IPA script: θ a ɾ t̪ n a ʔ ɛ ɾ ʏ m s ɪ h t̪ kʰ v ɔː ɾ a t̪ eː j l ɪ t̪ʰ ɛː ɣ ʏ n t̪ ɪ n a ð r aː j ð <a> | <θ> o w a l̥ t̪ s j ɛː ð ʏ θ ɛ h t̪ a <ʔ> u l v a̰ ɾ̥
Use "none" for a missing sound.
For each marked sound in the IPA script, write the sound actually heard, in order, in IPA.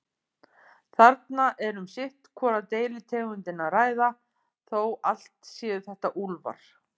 a, θ, ʔ

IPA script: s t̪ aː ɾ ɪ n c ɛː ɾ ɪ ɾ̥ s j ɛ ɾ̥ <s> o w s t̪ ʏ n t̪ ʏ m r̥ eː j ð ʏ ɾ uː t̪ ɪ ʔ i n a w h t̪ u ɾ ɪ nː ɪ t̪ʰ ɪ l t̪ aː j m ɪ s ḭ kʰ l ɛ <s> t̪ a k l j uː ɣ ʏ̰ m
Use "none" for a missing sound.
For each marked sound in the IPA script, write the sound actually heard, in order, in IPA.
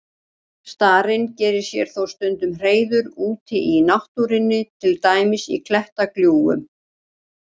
θ, h

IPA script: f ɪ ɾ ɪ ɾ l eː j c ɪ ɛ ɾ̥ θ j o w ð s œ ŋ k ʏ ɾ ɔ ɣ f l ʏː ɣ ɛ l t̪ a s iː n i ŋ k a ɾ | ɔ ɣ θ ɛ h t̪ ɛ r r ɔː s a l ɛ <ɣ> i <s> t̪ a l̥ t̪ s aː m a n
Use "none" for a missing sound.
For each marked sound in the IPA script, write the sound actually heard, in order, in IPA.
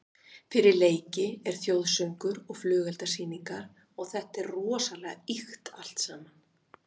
ɣ, x

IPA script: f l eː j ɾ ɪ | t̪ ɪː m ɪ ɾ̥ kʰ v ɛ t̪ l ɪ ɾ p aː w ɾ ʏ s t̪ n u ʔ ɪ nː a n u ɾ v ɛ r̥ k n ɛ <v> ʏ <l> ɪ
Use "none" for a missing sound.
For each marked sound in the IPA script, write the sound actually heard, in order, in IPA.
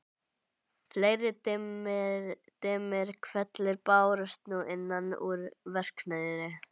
ð, ɾ

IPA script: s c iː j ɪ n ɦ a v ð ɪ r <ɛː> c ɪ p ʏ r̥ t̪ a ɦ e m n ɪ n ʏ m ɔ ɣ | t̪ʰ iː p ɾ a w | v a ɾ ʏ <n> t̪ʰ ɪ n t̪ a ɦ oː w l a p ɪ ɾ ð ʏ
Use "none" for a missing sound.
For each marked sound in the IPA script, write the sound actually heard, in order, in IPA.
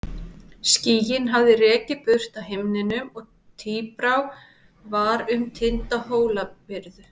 ɛː, m

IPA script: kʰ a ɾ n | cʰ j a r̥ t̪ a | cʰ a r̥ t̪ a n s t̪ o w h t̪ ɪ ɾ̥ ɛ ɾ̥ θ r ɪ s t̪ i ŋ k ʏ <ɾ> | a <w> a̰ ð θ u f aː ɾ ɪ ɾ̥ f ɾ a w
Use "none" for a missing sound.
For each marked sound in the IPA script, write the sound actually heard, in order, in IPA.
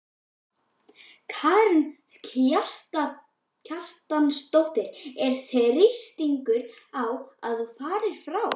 ɾ, w

